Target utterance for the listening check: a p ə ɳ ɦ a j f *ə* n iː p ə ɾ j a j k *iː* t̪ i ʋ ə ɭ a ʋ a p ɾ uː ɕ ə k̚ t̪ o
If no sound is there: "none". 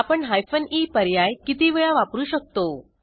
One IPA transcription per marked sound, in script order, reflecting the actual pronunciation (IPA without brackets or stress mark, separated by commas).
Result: ə, i